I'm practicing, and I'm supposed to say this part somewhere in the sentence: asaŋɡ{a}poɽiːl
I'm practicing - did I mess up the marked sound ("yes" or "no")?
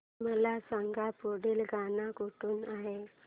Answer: no